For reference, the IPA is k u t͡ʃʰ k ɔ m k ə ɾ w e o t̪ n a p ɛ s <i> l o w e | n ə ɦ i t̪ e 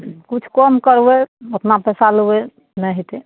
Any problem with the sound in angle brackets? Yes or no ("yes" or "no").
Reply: yes